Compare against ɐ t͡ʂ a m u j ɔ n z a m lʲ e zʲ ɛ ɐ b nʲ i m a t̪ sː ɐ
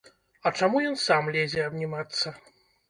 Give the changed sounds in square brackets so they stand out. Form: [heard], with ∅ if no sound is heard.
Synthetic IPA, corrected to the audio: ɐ t͡ʂ a m u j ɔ n [s] a m lʲ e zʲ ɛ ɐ b nʲ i m a t̪ sː ɐ